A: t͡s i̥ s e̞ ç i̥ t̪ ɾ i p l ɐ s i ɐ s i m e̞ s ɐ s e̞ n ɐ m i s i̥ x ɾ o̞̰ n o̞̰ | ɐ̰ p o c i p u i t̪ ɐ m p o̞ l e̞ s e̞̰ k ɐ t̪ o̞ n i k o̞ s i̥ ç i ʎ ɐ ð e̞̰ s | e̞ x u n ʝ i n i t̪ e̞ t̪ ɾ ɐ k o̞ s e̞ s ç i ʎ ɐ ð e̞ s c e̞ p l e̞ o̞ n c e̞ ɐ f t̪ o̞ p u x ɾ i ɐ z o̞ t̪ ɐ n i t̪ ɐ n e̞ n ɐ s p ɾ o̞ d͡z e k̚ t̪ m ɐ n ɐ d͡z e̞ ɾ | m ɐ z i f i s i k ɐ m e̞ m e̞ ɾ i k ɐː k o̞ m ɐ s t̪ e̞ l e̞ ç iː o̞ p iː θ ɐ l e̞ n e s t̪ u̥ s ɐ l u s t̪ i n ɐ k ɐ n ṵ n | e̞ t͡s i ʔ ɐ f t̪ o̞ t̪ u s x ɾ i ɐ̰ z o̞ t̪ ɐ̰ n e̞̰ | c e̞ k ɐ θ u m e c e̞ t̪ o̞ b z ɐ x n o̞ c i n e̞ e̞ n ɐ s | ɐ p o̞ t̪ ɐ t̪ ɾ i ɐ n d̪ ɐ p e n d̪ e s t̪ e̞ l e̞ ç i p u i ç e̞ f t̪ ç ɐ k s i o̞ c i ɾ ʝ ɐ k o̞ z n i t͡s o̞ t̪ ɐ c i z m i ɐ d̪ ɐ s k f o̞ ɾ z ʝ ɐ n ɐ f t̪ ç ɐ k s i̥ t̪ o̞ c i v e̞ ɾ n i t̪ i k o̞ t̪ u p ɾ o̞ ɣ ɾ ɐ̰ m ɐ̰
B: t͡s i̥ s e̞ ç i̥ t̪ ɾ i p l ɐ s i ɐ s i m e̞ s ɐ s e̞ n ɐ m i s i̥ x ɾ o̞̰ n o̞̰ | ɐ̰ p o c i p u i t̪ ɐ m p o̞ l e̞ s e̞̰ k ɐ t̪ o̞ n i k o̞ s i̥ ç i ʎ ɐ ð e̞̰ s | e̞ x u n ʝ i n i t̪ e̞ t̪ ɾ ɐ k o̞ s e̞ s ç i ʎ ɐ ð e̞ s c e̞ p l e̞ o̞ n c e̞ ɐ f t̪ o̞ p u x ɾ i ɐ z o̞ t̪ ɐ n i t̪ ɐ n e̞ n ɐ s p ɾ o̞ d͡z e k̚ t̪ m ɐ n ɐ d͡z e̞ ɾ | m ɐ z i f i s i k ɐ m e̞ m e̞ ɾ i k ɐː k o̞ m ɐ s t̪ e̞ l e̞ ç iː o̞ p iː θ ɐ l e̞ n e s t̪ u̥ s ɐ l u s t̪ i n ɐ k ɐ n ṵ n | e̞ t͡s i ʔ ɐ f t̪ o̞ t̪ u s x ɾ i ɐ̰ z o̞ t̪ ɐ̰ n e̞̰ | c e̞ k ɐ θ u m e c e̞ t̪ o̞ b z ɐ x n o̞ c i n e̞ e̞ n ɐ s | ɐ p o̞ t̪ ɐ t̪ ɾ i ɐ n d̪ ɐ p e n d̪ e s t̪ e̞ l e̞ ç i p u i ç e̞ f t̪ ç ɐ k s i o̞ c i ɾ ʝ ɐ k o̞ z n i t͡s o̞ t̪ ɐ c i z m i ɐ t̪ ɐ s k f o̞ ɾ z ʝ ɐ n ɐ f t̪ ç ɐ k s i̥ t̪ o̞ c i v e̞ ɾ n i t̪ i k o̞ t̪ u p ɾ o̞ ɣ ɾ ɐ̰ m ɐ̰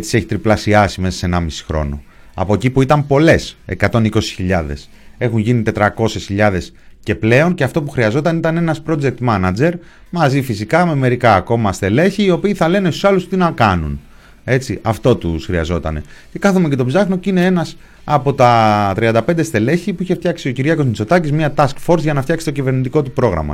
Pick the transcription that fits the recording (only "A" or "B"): B